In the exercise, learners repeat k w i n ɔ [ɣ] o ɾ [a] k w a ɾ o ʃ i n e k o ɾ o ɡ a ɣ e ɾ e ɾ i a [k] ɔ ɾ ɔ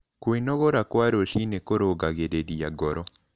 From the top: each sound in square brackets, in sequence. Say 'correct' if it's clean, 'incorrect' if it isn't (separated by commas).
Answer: correct, correct, incorrect